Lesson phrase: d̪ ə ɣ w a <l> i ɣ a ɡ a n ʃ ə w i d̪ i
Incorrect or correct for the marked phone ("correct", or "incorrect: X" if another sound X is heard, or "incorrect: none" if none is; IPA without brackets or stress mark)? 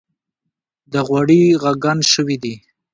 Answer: incorrect: ɽ